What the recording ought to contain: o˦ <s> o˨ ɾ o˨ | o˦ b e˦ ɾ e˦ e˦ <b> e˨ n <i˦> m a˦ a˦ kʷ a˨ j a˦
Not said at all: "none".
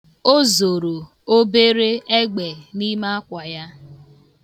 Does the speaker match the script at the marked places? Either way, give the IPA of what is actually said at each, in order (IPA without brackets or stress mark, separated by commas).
z, ɡ͡b, i˦